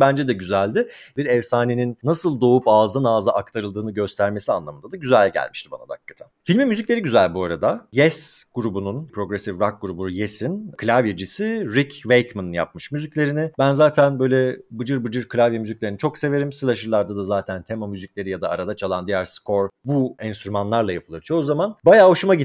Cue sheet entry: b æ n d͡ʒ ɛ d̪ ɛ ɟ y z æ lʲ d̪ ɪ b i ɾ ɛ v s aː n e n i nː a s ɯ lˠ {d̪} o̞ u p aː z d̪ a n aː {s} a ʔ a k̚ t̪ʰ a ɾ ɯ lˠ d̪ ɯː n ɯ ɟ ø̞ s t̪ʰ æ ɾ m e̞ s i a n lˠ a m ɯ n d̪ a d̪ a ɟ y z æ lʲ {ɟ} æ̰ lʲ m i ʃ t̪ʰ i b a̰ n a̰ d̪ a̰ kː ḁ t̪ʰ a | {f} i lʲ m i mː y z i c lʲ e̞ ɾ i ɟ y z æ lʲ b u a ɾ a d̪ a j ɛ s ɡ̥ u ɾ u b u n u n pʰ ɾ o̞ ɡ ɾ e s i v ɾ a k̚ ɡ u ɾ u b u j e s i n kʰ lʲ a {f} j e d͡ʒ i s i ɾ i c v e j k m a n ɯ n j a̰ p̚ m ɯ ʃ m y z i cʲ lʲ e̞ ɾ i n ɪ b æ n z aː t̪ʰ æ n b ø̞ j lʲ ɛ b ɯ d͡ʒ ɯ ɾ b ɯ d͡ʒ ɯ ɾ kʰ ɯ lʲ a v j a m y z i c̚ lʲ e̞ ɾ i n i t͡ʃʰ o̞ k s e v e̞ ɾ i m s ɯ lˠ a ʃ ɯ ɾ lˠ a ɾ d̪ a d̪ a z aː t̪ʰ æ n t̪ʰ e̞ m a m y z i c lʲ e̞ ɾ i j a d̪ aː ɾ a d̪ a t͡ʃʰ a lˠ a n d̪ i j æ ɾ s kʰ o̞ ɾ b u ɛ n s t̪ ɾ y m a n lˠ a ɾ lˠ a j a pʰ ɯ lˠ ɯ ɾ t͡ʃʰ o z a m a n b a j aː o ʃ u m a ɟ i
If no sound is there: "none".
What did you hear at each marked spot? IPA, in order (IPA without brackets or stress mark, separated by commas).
d̪, z, ɟ, f, v